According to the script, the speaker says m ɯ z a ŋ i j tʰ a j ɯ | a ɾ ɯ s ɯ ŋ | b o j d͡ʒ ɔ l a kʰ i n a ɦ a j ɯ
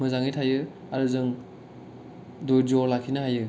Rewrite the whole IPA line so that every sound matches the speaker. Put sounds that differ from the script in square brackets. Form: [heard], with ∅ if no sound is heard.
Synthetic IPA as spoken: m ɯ z a ŋ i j tʰ a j ɯ | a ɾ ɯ [z] ɯ ŋ | [d] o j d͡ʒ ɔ l a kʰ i n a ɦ a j ɯ

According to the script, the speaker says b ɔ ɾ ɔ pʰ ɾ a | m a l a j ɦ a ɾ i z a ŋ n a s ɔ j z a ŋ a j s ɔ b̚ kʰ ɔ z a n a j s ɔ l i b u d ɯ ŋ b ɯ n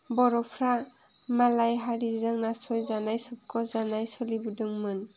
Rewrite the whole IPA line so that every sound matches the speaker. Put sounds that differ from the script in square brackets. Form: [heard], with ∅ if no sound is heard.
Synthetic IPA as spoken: b ɔ ɾ ɔ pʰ ɾ a | m a l a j ɦ a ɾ i z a ŋ n a s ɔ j z a [n] a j s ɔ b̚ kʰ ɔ z a n a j s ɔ l i b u d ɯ ŋ [m] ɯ n

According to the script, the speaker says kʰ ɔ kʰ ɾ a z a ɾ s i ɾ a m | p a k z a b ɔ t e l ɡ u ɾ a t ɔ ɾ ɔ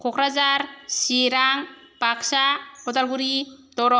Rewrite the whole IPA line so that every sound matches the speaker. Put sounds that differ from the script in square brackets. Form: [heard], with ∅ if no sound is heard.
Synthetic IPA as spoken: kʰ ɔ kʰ ɾ a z a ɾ s i ɾ a [ŋ] | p a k [s] a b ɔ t [a] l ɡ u ɾ [i] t ɔ ɾ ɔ

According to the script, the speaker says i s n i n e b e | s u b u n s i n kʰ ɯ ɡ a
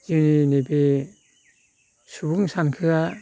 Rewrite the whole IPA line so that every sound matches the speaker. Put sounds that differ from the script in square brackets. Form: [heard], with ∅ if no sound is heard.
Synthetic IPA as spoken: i [∅] n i n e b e | s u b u [ŋ] s [a] n kʰ ɯ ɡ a

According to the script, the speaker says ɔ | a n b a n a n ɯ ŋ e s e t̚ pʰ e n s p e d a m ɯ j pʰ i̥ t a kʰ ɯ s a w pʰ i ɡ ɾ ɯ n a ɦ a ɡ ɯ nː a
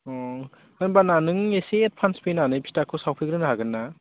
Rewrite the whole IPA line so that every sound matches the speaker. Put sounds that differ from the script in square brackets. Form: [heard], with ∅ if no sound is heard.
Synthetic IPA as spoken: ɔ | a n b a n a n ɯ ŋ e s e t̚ pʰ [a] n s p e [n] a [n] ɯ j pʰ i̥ t a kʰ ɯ s a w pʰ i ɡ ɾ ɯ n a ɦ a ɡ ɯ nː a

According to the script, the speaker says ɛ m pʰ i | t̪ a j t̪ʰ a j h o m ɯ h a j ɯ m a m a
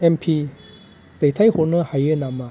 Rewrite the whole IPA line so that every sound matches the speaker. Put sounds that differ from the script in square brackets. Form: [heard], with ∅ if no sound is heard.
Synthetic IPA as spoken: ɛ m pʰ i | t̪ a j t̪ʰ a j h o [n] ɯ h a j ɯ [n] a m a

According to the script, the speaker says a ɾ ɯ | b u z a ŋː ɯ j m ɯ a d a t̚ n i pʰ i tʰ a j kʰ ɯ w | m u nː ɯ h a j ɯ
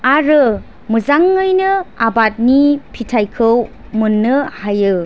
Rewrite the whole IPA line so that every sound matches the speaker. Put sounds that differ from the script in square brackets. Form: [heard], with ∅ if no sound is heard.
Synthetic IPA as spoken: a ɾ ɯ | [m] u z a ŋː ɯ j [n] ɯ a [b] a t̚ n i pʰ i tʰ a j kʰ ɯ w | m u nː ɯ h a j ɯ

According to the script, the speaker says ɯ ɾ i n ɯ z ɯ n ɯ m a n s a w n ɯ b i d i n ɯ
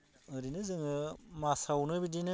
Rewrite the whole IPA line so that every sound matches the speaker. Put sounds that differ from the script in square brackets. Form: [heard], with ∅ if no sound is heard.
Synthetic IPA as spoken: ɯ ɾ i n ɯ z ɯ [ŋ] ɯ m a [∅] s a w n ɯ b i d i n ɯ

